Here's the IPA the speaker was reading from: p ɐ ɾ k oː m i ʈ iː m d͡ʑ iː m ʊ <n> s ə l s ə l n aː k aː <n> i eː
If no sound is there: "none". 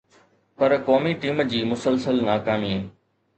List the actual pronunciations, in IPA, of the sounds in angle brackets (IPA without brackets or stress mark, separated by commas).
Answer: none, m